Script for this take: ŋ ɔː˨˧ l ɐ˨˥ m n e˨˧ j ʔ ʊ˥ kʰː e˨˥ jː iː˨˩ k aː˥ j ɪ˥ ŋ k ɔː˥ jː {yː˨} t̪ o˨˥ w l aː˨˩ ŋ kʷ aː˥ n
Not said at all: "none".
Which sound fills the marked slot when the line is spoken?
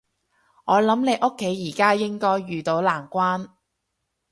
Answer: yː˨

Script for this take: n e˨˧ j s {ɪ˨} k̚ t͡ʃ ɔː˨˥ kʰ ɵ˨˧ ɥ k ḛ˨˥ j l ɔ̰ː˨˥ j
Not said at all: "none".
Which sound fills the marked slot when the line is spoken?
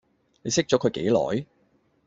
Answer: ɪ˥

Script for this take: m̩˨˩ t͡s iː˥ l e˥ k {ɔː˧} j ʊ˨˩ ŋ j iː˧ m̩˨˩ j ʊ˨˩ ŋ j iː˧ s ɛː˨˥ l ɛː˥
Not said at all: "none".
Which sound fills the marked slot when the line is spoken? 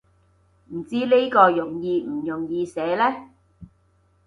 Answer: ɔː˧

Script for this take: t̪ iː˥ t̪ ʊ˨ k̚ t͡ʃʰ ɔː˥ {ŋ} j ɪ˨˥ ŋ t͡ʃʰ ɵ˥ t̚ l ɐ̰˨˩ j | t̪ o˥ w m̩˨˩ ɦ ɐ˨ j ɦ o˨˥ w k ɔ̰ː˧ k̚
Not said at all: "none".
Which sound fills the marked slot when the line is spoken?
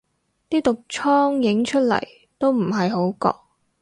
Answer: ŋ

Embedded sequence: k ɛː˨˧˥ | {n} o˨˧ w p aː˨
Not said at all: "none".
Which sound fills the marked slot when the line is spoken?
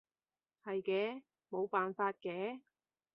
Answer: m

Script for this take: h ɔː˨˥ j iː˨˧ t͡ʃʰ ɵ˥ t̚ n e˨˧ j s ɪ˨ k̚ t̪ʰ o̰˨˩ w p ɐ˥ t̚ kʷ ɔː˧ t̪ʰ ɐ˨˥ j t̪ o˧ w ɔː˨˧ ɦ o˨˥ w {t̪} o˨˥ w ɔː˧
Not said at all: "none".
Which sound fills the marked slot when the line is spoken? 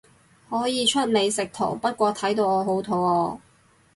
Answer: t̪ʰ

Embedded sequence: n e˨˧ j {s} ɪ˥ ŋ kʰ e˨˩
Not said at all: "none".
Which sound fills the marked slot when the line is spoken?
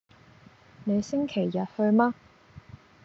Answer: s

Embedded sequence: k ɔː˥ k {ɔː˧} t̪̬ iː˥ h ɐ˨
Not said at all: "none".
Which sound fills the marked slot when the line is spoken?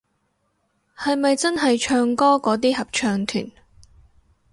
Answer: ɔː˨˥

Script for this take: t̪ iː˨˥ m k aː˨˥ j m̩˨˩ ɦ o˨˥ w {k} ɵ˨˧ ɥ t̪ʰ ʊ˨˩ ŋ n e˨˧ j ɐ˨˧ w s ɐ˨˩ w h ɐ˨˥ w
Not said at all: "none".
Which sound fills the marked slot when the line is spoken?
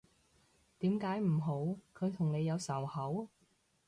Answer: kʰ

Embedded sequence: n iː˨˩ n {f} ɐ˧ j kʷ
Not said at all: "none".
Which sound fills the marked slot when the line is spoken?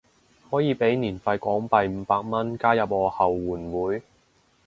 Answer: f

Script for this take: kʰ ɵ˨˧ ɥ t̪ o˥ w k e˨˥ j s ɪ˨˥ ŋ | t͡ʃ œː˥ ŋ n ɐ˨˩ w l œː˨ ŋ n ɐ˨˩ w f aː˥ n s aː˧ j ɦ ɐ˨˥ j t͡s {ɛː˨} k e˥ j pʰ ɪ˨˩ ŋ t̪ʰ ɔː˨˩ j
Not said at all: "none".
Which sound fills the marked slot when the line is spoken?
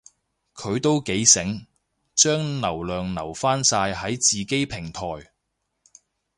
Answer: iː˨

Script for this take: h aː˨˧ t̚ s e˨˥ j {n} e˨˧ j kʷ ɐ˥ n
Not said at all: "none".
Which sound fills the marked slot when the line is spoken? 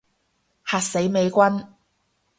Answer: m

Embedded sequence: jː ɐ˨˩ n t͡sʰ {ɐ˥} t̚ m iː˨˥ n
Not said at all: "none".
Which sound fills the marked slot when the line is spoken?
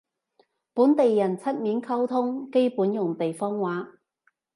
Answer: ɐ˥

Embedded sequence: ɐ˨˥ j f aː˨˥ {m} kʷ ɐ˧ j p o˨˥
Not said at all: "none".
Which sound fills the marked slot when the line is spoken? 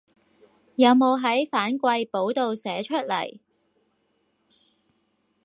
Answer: n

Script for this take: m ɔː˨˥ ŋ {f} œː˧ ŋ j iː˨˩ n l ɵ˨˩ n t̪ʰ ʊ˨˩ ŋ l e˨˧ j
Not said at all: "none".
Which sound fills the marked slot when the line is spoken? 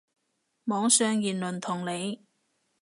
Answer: s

